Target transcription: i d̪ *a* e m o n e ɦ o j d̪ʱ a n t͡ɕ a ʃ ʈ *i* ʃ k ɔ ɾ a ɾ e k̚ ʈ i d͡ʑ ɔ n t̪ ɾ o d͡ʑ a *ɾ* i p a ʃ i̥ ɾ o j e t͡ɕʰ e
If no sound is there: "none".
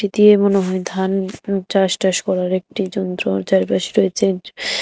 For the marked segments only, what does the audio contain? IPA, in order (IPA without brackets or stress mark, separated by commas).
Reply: i, a, ɾ